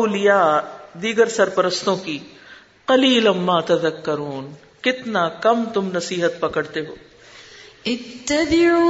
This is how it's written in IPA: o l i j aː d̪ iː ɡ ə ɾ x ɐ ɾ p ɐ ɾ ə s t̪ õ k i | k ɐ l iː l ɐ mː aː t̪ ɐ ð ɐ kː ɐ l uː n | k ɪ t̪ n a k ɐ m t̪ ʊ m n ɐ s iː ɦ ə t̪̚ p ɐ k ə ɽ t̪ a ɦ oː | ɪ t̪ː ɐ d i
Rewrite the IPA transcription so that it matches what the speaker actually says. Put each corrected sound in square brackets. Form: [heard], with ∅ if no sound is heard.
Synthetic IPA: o l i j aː d̪ iː ɡ ə ɾ [s] ɐ ɾ p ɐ ɾ ə s t̪ õ k i | [q] ɐ l iː l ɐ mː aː t̪ ɐ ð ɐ kː ɐ [ɾ] uː n | k ɪ t̪ n a k ɐ m t̪ ʊ m n ɐ s iː ɦ ə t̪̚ p ɐ k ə ɽ t̪ [e] ɦ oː | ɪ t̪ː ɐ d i